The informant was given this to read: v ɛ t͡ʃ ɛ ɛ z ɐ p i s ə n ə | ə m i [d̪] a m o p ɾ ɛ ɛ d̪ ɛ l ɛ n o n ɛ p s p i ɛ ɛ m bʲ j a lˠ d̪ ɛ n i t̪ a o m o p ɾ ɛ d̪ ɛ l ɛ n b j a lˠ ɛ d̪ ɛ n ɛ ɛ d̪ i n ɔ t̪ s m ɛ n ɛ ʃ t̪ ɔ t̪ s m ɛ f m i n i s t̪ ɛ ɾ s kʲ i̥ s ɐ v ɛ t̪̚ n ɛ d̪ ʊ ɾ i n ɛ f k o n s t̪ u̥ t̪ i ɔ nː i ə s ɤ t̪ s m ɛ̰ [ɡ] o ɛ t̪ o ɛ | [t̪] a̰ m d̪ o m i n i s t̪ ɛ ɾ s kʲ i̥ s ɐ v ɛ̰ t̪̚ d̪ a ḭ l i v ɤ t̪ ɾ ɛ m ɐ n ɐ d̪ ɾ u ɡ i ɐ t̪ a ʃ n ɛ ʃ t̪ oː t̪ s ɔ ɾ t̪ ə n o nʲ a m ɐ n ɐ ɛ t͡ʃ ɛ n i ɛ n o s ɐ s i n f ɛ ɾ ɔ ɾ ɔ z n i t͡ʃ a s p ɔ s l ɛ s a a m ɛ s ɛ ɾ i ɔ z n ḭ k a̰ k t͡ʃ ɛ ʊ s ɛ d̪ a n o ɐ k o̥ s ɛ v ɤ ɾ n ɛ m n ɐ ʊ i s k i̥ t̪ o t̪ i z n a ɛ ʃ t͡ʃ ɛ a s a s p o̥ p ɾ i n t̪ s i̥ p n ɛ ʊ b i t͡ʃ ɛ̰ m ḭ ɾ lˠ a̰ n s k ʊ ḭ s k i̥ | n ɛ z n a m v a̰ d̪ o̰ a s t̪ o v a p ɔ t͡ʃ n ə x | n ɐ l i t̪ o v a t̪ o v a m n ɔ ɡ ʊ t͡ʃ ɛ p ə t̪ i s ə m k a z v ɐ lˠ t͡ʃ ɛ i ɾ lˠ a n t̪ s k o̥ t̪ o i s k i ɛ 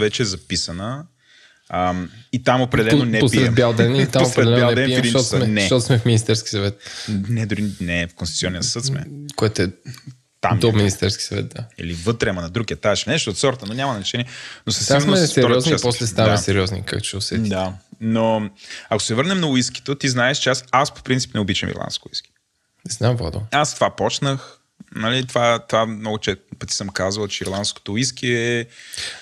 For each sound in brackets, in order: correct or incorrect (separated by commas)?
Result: incorrect, incorrect, correct